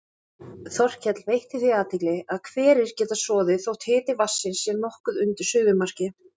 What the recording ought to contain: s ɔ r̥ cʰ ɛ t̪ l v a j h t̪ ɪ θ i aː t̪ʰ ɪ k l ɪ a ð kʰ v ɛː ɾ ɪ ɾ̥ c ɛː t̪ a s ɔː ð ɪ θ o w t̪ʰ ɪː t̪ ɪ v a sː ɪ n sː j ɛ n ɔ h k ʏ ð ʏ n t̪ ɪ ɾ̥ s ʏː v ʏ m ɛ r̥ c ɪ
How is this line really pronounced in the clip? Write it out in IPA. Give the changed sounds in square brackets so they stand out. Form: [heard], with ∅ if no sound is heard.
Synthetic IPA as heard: [θ] ɔ r̥ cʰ ɛ t̪ l v [e] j h t̪ ɪ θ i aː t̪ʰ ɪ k l ɪ a ð kʰ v ɛː ɾ ɪ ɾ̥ c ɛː t̪ a s ɔː ð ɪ θ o w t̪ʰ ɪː t̪ ɪ v a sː ɪ n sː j ɛ n ɔ h k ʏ ð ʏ n t̪ ɪ ɾ̥ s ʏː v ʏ m [a] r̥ c ɪ